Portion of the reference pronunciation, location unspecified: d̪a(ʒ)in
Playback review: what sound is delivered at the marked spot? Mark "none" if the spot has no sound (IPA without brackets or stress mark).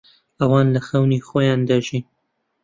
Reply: ʒ